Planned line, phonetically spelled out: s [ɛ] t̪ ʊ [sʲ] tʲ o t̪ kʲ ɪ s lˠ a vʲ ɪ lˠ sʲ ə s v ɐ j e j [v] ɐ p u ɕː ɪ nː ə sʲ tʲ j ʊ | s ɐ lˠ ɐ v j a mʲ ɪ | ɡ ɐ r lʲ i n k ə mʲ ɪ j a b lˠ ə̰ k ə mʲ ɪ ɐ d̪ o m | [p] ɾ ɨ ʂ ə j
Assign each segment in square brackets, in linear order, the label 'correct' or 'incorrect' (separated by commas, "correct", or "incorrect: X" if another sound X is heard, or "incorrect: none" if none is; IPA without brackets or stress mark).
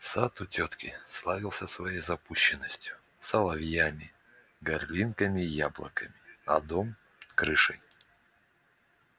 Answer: incorrect: a, incorrect: none, incorrect: z, incorrect: k